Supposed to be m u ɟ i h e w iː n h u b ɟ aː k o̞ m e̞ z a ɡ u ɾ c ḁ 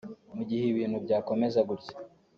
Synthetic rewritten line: m u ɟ i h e β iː n h u b ɟ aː k o̞ m e̞ z a ɡ u ɾ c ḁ